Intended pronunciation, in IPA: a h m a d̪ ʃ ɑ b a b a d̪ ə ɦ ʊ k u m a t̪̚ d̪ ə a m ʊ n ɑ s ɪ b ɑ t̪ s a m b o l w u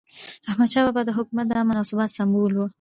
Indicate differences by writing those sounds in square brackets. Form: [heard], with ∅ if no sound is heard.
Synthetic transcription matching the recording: a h m a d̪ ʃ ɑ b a b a d̪ ə ɦ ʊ k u m a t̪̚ d̪ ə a m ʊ n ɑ s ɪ b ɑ t̪ s a m b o l w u